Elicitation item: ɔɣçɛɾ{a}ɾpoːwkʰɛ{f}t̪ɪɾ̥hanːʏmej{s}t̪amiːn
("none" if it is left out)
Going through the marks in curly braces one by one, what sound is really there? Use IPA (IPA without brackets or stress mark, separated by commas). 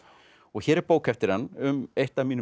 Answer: ɛ, f, h